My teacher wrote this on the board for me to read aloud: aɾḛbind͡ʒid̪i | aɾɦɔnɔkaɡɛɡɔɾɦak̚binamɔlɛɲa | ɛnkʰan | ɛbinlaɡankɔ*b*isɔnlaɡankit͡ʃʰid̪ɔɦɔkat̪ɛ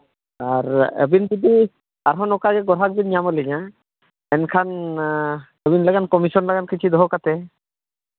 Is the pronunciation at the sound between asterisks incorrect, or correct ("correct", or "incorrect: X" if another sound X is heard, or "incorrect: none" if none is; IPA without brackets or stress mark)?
incorrect: m